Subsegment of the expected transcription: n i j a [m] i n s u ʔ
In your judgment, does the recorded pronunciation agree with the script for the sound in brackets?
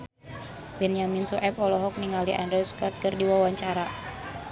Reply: yes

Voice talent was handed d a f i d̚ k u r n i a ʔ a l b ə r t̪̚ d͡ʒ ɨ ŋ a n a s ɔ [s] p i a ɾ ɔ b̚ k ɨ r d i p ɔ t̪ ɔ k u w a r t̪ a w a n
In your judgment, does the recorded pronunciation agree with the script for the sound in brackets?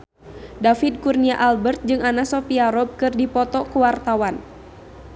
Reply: no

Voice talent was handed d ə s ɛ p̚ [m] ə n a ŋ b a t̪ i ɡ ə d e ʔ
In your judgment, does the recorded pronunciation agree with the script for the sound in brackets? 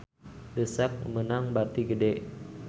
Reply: yes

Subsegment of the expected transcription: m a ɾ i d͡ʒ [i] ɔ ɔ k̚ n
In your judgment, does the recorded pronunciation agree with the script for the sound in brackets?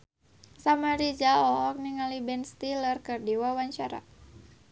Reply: no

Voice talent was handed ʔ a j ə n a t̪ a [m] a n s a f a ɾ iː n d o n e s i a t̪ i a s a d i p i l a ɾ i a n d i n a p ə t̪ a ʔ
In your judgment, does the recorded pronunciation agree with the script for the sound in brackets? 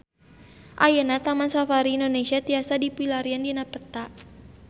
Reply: yes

